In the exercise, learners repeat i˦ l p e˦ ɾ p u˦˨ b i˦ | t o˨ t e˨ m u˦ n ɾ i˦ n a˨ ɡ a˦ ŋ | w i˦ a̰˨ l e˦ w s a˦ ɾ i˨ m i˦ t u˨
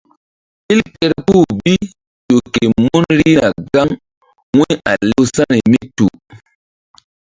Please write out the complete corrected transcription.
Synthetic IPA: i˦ l p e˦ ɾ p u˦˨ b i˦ | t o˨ k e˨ m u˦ n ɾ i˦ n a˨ ɡ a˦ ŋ | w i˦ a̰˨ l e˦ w s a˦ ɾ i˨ m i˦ t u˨